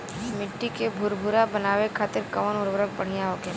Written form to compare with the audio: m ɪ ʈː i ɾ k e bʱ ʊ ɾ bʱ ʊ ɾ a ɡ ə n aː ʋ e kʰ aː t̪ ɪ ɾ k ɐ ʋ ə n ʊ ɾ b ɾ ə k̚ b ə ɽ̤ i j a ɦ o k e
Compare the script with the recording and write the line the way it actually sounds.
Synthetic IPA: m ɪ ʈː i k e bʱ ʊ ɾ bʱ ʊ ɾ a b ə n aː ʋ e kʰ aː t̪ ɪ ɾ k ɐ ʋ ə n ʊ ɾ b ɾ ə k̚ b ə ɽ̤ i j a ɦ o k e